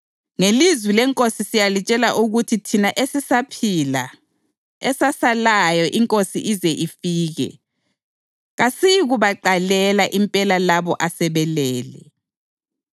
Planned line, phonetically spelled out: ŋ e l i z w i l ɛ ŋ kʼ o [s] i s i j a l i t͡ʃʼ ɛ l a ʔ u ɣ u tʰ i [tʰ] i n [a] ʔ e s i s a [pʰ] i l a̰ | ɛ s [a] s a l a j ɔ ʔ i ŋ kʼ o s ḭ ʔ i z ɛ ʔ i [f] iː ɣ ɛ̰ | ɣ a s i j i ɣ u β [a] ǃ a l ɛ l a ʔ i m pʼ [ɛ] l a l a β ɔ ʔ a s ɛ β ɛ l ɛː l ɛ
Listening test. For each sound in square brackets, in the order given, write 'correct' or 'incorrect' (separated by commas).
correct, correct, correct, correct, correct, correct, correct, correct